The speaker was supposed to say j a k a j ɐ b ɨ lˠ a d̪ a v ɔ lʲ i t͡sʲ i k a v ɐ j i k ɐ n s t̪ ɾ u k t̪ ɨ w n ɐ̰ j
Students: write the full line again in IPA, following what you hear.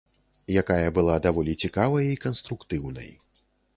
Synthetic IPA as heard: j a k a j ɐ b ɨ lˠ a d̪ a v ɔ lʲ i t͡sʲ i k a v ɐ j i k ɐ n s t̪ ɾ u k t̪ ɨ w n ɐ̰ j